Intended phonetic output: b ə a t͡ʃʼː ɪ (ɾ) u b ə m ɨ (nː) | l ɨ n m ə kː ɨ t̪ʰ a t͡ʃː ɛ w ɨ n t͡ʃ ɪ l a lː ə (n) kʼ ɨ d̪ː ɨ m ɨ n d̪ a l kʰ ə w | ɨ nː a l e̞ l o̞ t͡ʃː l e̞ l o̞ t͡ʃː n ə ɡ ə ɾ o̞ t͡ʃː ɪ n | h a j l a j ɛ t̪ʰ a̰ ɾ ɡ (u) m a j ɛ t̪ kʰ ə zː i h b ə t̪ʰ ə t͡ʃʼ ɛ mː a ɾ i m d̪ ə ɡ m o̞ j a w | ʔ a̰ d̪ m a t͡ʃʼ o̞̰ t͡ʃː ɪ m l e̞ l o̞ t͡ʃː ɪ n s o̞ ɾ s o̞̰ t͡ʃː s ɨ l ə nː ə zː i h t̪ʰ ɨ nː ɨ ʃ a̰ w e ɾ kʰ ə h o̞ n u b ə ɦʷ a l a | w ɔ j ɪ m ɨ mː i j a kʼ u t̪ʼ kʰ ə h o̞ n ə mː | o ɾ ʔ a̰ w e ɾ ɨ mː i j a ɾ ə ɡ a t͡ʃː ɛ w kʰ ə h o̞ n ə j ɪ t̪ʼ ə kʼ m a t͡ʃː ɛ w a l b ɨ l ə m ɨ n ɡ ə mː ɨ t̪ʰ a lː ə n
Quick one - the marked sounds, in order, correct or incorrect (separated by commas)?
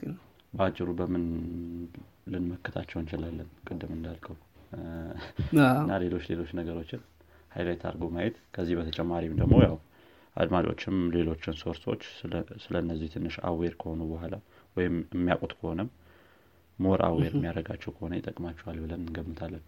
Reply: correct, incorrect, correct, incorrect